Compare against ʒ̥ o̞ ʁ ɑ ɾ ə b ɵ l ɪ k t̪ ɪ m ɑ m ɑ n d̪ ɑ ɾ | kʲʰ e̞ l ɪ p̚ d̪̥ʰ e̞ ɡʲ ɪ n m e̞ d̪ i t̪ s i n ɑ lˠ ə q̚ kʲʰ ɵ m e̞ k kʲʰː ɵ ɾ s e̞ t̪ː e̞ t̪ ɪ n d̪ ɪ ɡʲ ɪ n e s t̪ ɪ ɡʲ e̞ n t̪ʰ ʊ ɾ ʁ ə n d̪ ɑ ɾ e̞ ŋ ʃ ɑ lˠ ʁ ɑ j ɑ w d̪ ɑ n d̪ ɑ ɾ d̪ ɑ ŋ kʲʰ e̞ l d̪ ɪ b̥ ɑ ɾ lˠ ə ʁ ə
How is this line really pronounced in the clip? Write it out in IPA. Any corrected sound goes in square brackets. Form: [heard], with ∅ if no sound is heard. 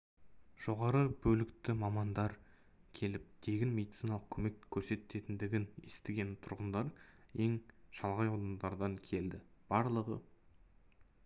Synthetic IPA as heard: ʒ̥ o̞ ʁ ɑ ɾ ə b ɵ l ɪ k t̪ ɪ m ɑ m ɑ n d̪ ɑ ɾ | kʲʰ e̞ l ɪ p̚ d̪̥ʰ e̞ ɡʲ ɪ n m e̞ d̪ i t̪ s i n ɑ lˠ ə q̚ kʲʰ ɵ m e̞ k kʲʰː ɵ ɾ s e̞ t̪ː e̞ t̪ ɪ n d̪ ɪ ɡʲ ɪ n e s t̪ ɪ ɡʲ e̞ n t̪ʰ ʊ ɾ ʁ ə n d̪ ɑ ɾ e̞ ŋ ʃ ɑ lˠ ʁ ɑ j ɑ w d̪ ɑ n d̪ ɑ ɾ d̪ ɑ ŋ kʲʰ e̞ l d̪ ɪ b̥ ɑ ɾ lˠ ə ʁ ə

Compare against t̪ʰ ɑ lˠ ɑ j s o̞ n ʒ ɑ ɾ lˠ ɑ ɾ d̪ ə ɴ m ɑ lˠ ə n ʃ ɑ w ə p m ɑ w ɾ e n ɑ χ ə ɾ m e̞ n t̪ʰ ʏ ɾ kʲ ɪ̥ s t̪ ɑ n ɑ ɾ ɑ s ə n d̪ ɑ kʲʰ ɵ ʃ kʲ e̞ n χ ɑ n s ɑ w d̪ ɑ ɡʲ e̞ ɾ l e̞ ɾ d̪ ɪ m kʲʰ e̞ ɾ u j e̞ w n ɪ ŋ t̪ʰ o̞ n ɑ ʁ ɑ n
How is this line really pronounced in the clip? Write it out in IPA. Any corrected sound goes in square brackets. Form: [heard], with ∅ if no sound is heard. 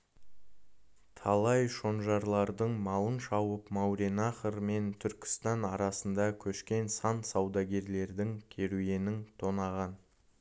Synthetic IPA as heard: t̪ʰ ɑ lˠ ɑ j [ʃ] o̞ n ʒ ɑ ɾ lˠ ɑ ɾ d̪ ə ɴ m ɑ lˠ ə n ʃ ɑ w ə p m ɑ w ɾ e n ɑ χ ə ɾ m e̞ n t̪ʰ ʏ ɾ kʲ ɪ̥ s t̪ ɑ n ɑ ɾ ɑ s ə n d̪ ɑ kʲʰ ɵ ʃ kʲ e̞ n [s] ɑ n s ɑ w d̪ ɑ ɡʲ e̞ ɾ l e̞ ɾ d̪ ɪ [ŋ] kʲʰ e̞ ɾ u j e̞ [∅] n ɪ ŋ t̪ʰ o̞ n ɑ ʁ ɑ n

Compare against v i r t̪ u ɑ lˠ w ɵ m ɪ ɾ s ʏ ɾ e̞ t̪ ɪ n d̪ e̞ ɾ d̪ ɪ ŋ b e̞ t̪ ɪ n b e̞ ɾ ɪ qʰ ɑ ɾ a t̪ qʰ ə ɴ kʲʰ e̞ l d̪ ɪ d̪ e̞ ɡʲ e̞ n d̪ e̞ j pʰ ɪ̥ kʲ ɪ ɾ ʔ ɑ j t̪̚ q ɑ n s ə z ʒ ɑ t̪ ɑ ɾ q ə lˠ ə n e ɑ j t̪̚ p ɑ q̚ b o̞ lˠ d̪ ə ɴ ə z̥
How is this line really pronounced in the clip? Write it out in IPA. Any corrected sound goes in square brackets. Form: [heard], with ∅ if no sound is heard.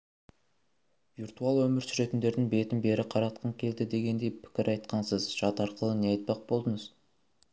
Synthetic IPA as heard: v i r t̪ u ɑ lˠ w ɵ m ɪ ɾ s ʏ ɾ e̞ t̪ ɪ n d̪ e̞ ɾ d̪ ɪ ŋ b e̞ t̪ ɪ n b e̞ ɾ ɪ qʰ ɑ ɾ [ɑ] t̪ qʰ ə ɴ kʲʰ e̞ l d̪ ɪ d̪ e̞ ɡʲ e̞ n d̪ e̞ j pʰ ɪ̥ kʲ ɪ ɾ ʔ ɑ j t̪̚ q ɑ n s ə z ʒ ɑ t̪ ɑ ɾ q ə lˠ ə n e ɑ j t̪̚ p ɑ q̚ b o̞ lˠ d̪ ə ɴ ə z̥

